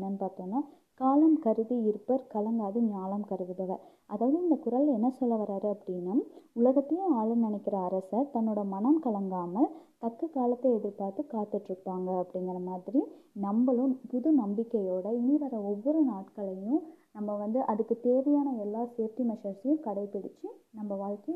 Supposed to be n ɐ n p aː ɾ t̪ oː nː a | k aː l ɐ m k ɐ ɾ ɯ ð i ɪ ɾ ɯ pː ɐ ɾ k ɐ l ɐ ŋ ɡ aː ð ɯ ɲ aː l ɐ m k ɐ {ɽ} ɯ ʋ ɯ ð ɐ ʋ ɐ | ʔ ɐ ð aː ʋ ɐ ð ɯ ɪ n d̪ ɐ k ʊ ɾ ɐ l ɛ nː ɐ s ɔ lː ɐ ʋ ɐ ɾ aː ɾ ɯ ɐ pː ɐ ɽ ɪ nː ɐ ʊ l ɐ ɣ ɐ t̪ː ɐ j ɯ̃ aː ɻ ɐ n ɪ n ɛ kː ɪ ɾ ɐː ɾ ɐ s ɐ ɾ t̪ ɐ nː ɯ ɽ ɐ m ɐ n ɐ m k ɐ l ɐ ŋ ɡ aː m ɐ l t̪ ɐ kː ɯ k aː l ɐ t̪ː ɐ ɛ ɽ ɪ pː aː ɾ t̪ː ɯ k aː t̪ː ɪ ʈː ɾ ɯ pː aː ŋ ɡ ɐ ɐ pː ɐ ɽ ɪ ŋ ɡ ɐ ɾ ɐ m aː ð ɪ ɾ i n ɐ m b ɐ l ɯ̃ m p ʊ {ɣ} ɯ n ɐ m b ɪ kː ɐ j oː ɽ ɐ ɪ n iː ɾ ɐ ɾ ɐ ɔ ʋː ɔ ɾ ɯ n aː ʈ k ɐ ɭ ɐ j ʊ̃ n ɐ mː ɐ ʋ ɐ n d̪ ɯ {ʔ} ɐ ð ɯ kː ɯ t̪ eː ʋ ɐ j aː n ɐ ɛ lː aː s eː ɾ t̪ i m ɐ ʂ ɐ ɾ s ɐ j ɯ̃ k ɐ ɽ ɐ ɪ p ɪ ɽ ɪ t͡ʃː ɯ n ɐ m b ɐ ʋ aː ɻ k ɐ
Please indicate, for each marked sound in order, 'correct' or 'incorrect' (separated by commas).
incorrect, incorrect, correct